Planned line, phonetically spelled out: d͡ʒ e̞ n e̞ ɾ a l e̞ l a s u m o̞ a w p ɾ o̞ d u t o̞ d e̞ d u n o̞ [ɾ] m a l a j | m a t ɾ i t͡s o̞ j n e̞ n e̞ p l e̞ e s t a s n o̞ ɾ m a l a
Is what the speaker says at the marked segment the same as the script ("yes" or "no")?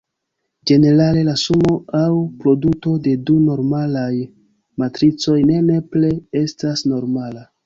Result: yes